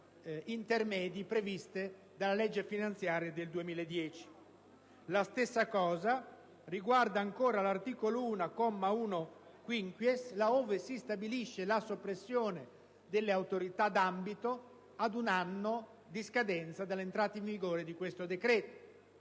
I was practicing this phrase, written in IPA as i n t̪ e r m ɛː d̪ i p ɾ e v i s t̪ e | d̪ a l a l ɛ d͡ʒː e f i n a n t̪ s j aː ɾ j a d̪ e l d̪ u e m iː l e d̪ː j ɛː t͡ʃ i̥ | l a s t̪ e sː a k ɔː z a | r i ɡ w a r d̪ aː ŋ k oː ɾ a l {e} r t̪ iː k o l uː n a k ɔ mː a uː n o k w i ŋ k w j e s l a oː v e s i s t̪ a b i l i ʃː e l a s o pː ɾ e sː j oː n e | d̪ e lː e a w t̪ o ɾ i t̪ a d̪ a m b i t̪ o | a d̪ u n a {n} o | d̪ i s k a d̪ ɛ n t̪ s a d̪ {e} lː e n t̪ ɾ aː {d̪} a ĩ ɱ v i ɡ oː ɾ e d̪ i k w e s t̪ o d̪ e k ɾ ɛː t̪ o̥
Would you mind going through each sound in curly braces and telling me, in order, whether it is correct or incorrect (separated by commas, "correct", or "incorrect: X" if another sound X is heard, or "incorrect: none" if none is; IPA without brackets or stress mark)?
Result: incorrect: a, incorrect: nː, incorrect: a, incorrect: t̪